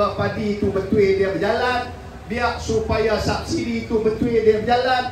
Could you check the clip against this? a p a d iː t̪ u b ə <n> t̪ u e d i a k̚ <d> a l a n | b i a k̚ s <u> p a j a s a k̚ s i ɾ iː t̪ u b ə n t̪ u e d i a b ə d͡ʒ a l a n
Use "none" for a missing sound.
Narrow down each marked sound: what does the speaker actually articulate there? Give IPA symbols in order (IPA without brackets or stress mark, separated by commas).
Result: n, d͡ʒ, u